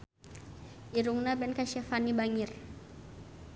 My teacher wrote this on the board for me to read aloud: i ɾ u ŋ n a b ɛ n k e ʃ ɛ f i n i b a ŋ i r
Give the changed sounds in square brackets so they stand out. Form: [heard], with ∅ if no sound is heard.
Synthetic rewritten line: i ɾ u ŋ n a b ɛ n k [a] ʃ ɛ f [a] n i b a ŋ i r